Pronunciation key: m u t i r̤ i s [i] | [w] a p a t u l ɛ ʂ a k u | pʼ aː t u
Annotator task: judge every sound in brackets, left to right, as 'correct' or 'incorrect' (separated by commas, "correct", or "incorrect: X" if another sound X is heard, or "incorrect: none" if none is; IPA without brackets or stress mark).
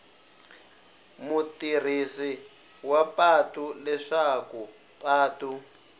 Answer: correct, correct